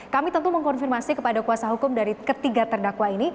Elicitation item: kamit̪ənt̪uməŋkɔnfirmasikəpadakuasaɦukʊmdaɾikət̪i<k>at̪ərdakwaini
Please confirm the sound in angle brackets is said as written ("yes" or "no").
no